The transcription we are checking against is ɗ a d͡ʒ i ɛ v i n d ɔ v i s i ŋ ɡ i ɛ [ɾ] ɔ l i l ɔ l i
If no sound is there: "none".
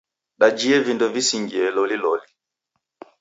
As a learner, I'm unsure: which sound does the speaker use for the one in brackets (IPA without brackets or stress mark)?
l